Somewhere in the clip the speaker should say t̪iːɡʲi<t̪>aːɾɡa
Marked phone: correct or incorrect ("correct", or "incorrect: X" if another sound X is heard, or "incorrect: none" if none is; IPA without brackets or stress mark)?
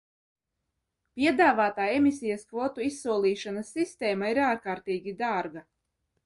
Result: incorrect: d̪